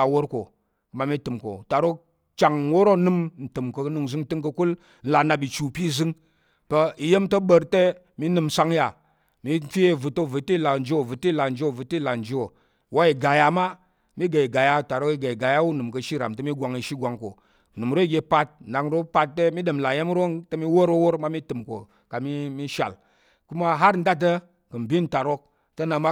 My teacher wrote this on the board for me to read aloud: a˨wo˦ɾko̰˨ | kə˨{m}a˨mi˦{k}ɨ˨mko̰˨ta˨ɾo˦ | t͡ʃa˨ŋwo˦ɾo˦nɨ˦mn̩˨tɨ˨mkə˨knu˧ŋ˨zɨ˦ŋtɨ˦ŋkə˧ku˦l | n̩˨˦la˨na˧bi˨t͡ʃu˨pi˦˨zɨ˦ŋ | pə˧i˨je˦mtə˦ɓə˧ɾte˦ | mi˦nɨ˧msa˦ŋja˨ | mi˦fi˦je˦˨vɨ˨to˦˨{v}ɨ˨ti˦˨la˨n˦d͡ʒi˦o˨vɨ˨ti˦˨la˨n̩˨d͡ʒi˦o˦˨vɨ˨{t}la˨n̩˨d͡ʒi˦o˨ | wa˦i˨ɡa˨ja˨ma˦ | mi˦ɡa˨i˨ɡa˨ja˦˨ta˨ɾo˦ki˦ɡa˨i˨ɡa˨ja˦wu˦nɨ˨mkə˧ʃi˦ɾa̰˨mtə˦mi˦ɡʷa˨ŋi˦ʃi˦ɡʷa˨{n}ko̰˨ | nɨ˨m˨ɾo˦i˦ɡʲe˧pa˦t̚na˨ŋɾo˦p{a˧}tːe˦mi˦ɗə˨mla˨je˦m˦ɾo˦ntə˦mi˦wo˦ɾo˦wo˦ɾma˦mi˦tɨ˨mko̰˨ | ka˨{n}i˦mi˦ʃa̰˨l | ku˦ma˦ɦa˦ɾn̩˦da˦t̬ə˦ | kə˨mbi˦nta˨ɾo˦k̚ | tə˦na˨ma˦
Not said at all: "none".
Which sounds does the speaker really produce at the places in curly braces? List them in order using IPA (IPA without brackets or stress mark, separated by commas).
m, t, v, t, ŋ, a˧, m